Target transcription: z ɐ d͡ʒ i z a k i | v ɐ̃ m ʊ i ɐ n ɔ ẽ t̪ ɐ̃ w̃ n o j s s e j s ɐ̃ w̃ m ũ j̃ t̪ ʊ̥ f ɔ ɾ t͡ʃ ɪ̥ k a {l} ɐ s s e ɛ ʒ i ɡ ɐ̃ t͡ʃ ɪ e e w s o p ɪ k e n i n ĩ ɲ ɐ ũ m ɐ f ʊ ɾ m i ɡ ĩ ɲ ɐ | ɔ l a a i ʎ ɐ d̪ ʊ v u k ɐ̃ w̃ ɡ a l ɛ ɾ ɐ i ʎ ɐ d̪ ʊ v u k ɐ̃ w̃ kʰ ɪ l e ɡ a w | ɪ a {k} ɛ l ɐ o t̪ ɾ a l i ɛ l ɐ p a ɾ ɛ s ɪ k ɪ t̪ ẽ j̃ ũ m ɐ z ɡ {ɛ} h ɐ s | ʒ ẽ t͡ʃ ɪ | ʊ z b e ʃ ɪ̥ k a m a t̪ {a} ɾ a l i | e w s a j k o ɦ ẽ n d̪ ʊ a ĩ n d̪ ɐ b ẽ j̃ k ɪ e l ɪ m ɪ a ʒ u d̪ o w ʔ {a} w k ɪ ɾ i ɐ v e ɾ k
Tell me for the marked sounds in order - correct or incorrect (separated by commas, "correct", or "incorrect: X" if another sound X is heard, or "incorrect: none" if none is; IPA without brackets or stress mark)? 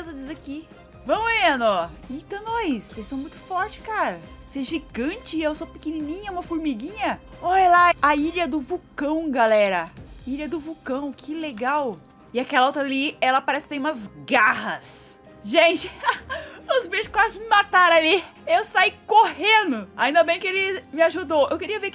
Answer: incorrect: ɾ, correct, incorrect: a, correct, incorrect: e